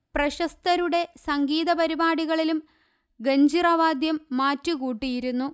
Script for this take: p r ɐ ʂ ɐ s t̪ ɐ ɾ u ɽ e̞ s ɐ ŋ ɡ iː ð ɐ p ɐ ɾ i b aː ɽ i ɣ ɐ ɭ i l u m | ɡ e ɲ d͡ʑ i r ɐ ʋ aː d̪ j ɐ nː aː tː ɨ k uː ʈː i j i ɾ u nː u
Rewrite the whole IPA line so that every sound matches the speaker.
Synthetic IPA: p r ɐ ɕ ɐ s t̪ ɐ ɾ u ɽ e̞ s ɐ ŋ ɡ iː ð ɐ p ɐ ɾ i b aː ɽ i ɣ ɐ ɭ i l u m | ɡ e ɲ d͡ʑ i r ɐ ʋ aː d̪ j ɐ mː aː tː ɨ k uː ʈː i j i ɾ u nː u